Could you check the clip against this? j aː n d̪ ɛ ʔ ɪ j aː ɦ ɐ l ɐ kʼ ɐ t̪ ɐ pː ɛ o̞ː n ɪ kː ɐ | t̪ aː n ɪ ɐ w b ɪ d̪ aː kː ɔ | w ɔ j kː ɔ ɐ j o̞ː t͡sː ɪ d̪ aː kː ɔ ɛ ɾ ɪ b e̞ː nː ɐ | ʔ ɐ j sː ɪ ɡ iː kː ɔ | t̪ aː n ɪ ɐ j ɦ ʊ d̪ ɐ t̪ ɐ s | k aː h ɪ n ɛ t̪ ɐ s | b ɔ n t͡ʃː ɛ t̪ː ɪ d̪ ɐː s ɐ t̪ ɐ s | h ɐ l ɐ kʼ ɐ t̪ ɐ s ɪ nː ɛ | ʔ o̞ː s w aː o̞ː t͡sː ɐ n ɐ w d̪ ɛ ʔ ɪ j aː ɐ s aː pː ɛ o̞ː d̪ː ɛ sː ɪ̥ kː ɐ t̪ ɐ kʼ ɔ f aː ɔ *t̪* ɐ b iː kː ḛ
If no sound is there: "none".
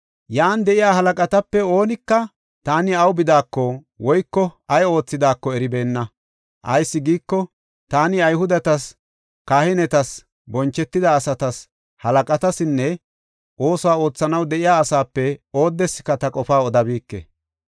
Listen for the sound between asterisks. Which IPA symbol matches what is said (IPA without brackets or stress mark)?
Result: d̪